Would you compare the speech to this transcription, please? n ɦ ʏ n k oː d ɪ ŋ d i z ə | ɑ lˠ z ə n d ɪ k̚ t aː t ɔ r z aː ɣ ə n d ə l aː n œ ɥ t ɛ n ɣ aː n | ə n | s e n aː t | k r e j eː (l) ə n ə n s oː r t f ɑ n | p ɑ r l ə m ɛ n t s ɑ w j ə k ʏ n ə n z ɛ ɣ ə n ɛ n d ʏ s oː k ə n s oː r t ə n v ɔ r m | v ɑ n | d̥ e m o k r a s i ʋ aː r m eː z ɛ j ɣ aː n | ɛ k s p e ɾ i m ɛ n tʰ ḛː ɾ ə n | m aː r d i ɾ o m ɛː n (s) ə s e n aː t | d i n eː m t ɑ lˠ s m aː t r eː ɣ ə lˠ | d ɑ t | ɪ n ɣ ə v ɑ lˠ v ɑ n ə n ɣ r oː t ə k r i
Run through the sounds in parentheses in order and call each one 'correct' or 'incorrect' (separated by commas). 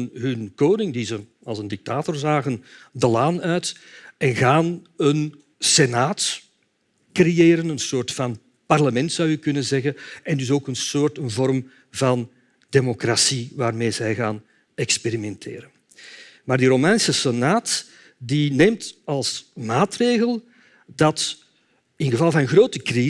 incorrect, correct